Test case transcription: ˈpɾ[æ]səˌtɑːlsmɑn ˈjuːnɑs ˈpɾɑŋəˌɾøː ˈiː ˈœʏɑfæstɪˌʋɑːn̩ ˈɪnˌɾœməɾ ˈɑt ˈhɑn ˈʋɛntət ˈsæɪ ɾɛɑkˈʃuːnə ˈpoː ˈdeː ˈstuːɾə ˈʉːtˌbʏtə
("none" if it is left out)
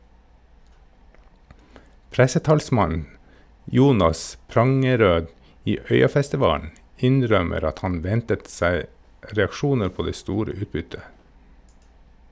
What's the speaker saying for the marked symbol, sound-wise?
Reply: æ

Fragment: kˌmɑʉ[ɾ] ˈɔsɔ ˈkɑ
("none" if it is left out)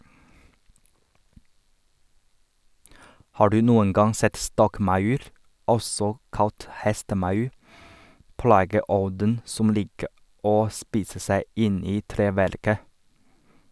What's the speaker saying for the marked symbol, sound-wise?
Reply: ɾ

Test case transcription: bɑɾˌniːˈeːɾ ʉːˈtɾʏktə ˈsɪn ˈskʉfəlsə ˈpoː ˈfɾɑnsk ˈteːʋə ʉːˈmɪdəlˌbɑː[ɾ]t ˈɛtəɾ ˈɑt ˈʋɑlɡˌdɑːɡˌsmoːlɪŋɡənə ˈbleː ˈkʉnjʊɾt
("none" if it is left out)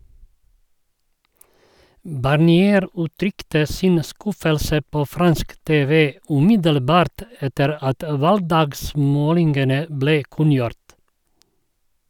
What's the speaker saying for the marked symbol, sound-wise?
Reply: ɾ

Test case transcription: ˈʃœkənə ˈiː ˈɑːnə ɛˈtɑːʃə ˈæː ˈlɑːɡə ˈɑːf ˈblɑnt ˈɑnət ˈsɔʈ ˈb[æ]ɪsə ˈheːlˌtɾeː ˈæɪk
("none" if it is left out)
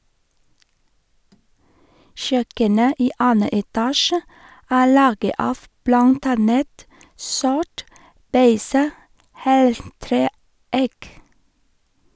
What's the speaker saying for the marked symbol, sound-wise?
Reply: e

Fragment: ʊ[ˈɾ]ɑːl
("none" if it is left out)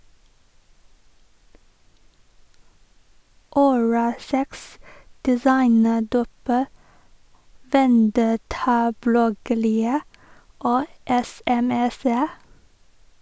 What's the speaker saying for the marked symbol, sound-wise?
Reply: ɹ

